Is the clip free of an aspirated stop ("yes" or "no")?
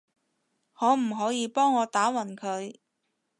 no